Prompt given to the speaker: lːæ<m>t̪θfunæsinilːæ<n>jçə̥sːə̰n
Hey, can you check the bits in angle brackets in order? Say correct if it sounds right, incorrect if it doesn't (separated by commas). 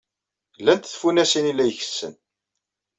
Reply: incorrect, incorrect